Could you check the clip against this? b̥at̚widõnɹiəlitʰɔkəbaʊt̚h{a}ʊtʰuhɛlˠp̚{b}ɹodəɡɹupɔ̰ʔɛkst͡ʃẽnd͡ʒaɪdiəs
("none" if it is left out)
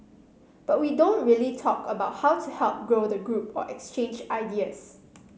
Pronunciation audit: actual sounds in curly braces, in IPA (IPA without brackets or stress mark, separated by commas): a, ɡ